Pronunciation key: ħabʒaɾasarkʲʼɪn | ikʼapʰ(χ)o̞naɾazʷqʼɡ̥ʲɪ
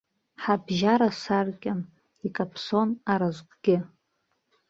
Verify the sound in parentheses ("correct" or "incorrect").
incorrect